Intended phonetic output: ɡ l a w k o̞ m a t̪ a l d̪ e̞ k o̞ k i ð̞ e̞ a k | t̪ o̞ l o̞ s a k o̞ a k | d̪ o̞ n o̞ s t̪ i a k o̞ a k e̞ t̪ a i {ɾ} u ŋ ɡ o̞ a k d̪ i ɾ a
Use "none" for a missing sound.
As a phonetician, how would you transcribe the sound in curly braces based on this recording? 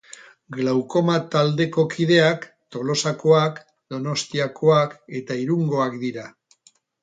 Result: ɾ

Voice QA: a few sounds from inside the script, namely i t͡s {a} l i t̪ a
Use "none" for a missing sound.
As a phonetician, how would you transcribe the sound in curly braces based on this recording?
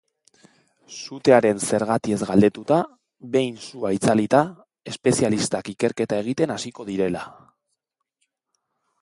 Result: a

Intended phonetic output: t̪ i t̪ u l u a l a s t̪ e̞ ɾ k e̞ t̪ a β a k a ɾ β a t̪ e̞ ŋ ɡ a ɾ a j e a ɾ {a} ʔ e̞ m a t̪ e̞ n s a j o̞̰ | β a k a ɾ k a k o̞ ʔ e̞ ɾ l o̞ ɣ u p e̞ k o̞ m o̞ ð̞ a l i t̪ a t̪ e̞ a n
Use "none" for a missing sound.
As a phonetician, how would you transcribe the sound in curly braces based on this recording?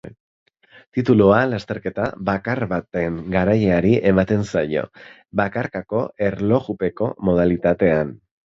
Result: i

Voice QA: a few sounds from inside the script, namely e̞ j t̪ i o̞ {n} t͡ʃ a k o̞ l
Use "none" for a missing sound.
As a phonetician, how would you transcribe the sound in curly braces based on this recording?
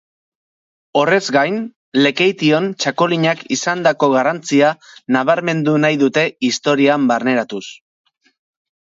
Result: n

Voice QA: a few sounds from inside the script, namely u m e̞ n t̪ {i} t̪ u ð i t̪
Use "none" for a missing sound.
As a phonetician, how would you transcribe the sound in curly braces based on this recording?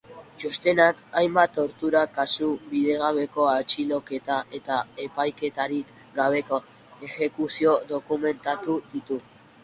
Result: a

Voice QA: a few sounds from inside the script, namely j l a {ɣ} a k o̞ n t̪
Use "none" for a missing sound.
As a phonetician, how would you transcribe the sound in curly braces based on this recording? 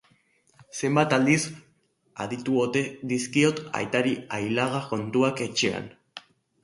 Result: ɣ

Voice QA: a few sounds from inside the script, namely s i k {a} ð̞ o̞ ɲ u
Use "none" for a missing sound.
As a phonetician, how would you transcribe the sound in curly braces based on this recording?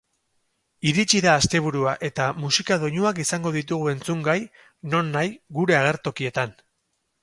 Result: a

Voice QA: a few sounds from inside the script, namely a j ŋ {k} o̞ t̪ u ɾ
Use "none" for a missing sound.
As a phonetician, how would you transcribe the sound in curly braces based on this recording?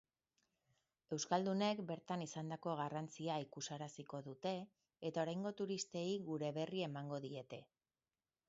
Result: ɡ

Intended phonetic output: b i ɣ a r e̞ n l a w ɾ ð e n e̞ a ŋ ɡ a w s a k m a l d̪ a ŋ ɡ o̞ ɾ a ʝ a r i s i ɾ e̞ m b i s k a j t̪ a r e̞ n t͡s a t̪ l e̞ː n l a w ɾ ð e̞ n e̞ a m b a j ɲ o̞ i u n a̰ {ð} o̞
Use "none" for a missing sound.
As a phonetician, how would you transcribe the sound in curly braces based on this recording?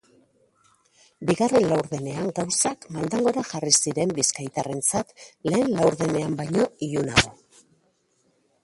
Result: ɣ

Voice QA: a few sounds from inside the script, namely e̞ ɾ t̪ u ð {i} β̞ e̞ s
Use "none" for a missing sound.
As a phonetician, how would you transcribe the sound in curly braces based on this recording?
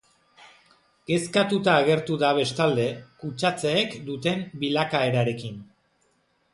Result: a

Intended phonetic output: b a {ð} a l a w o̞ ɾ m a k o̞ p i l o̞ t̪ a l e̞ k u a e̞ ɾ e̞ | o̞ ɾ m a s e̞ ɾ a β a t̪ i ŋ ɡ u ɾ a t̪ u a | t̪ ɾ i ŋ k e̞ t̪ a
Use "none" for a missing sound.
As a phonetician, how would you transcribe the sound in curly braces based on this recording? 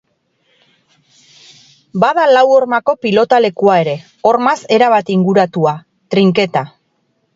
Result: ð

